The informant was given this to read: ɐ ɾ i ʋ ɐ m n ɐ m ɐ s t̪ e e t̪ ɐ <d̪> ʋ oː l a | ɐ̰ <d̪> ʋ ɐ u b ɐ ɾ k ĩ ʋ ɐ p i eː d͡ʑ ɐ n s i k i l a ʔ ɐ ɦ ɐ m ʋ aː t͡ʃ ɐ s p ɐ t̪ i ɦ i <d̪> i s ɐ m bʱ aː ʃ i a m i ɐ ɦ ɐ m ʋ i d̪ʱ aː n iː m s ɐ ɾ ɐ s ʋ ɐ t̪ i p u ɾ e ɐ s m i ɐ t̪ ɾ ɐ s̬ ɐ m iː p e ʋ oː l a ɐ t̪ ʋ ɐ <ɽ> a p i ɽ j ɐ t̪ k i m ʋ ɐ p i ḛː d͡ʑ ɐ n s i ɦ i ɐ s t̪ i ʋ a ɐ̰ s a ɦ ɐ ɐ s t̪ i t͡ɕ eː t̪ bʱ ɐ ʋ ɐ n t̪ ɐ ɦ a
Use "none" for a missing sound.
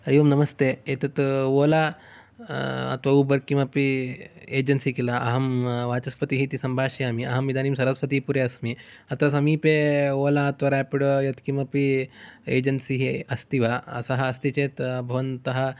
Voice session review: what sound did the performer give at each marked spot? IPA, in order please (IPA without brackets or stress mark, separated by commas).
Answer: t̪, t̪, t̪, ɾ